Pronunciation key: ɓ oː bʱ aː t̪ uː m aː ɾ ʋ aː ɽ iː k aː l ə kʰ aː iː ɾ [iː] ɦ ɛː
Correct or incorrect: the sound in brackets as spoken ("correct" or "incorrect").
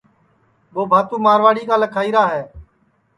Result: incorrect